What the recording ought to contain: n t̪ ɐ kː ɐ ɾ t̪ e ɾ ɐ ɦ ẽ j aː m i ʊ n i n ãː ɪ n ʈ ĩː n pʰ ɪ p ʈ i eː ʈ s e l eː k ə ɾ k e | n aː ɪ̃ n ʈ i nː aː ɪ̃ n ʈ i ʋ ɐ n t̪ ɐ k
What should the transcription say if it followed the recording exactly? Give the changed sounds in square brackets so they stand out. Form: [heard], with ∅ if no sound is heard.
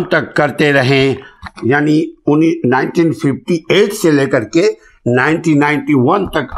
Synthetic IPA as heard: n t̪ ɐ kː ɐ ɾ t̪ e ɾ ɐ ɦ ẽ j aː [n] i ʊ n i n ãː ɪ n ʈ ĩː n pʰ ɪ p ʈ i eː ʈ s e l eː k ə ɾ k e | n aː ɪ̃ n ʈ i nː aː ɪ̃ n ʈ i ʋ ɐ n t̪ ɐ k